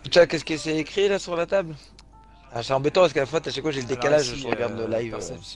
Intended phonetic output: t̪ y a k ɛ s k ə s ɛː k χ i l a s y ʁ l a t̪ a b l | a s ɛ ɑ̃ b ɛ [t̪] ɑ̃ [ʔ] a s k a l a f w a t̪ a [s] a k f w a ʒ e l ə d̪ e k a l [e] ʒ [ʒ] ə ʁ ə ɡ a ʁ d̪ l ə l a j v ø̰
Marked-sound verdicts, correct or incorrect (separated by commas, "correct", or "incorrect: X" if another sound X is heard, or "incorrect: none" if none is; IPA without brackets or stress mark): correct, incorrect: p, incorrect: ʃ, incorrect: a, correct